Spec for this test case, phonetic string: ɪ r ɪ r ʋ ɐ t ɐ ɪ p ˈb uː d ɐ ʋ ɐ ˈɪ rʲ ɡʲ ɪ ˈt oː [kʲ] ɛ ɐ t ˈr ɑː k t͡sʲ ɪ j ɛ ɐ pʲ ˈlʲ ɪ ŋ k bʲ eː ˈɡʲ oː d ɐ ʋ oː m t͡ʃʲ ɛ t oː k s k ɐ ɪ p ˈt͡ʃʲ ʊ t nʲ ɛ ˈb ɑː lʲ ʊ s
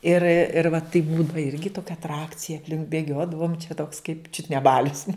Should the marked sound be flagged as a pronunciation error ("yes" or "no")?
no